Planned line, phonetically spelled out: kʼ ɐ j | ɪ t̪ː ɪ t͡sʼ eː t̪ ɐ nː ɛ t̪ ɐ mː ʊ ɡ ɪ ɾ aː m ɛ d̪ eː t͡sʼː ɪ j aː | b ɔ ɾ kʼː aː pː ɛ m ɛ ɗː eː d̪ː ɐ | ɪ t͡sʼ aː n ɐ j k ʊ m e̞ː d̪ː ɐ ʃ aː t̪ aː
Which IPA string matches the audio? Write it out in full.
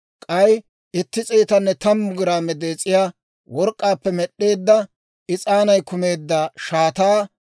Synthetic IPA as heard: kʼ ɐ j | ɪ t̪ː ɪ t͡sʼ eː t̪ ɐ nː ɛ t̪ ɐ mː ʊ ɡ ɪ ɾ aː m ɛ d̪ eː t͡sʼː ɪ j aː | w ɔ ɾ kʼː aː pː ɛ m ɛ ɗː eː d̪ː ɐ | ɪ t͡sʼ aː n ɐ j k ʊ m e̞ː d̪ː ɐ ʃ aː t̪ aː